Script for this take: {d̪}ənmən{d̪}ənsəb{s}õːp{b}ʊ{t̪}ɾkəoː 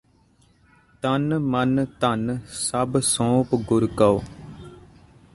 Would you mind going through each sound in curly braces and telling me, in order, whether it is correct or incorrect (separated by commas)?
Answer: incorrect, incorrect, correct, incorrect, incorrect